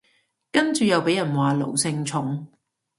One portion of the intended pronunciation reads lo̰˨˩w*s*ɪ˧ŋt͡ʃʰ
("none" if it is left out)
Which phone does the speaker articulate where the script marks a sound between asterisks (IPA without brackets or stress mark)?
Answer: s